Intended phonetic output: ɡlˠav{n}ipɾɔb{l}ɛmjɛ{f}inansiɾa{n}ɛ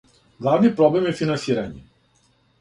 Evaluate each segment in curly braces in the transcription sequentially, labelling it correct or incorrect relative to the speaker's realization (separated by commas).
correct, correct, correct, incorrect